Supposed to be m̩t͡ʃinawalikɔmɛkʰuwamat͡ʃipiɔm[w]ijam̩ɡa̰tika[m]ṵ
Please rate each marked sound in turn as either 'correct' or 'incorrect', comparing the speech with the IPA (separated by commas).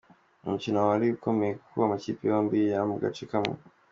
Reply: incorrect, correct